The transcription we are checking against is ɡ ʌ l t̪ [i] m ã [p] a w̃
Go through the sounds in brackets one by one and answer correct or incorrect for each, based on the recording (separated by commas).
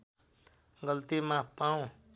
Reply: correct, correct